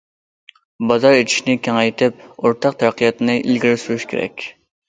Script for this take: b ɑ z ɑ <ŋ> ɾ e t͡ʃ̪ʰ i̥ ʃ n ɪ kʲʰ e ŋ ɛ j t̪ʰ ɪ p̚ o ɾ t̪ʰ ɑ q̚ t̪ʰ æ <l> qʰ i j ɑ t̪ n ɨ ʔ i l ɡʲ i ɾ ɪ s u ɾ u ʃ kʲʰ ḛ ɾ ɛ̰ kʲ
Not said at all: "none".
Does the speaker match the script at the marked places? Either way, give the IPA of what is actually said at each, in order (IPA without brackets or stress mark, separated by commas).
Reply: none, ɾ